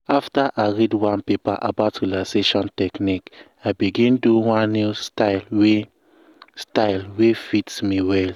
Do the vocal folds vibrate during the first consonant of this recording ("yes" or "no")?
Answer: no